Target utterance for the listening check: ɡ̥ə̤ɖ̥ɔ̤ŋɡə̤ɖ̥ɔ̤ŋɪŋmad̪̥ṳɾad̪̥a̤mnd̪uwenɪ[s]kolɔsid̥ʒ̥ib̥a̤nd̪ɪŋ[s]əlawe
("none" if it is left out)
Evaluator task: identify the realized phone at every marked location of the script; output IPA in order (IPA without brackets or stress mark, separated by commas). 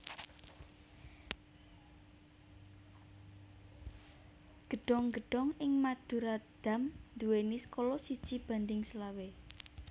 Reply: s, s